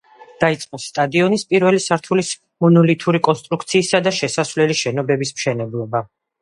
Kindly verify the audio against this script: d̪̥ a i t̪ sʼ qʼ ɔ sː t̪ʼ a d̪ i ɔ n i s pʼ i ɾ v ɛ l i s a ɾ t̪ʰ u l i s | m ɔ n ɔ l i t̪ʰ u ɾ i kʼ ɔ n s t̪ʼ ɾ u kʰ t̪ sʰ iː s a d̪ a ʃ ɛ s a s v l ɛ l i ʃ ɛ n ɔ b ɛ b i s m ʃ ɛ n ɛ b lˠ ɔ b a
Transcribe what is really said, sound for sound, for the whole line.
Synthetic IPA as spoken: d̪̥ a i t̪ sʼ qʼ ɔ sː t̪ʼ a d̪ i ɔ n i s pʼ i ɾ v ɛ l i s a ɾ t̪ʰ u l i s | m ɔ n ɔ l i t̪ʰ u ɾ i kʼ ɔ n s t̪ʼ ɾ u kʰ t̪ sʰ iː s a d̪ a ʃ ɛ s a s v l ɛ l i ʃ ɛ n ɔ b ɛ b i s m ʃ ɛ n ɛ b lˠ ɔ b a

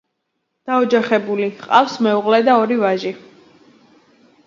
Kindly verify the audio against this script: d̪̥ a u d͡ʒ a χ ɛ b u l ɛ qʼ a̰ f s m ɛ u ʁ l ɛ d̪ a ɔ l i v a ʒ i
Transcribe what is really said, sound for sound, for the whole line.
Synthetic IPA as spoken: d̪̥ a ɔ d͡ʒ a χ ɛ b u l i qʼ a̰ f s m ɛ u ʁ l ɛ d̪ a ɔ ɾ i v a ʒ i

